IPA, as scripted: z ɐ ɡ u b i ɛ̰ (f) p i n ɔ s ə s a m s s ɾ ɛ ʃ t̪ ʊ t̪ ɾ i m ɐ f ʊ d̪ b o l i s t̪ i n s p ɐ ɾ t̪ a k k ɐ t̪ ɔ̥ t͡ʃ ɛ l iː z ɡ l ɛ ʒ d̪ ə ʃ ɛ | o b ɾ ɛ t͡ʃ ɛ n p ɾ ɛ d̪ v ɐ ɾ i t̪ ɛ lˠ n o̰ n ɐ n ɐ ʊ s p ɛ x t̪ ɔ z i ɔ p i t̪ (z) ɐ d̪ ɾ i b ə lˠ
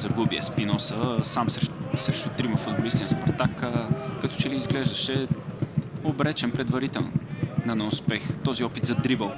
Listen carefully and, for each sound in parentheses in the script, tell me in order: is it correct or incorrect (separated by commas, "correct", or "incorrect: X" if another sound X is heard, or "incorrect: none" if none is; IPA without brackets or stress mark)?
incorrect: s, correct